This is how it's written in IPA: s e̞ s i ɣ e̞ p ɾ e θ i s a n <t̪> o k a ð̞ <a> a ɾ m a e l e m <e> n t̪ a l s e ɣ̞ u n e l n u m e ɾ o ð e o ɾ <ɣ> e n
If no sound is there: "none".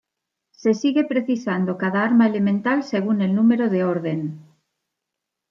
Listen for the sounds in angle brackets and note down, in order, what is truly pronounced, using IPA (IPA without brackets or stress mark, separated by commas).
d̪, a, ẽ, ð